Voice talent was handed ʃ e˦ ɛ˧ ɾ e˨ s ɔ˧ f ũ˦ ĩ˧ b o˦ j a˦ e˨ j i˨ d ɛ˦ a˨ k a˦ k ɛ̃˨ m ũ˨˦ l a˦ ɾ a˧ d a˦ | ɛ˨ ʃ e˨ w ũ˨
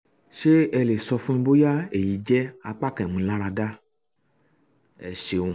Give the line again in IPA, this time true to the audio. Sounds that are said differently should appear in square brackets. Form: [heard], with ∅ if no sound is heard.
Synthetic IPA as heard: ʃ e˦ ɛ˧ [l] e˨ s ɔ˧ f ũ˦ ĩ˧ b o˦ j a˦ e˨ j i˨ [d͡ʒ] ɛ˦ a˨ [k͡p] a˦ k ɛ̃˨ m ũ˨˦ l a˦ ɾ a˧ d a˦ | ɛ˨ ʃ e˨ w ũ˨